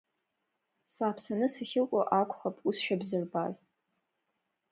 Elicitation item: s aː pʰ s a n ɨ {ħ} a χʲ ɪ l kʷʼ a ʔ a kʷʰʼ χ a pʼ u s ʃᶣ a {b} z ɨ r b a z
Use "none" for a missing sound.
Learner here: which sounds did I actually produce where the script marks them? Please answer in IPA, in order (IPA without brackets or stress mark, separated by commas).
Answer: s, b